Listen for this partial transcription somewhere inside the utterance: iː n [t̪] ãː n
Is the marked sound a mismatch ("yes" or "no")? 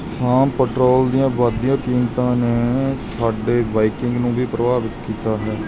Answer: no